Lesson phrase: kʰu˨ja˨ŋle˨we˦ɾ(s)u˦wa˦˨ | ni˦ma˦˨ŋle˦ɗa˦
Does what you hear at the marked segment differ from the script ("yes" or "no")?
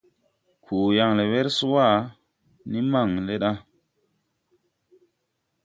no